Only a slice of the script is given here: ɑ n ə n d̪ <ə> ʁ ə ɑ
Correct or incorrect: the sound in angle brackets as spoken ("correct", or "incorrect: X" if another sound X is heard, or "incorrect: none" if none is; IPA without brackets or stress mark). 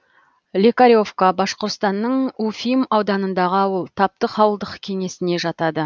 incorrect: ɑ